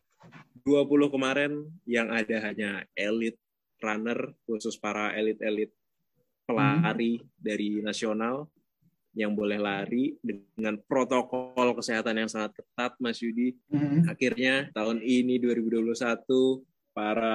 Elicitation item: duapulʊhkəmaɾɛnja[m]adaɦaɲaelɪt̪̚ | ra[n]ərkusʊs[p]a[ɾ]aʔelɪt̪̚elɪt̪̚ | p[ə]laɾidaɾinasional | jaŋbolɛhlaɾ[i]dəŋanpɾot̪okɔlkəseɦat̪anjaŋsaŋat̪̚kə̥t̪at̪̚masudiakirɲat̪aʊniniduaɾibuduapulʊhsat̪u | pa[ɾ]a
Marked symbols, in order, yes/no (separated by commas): no, yes, yes, yes, yes, yes, yes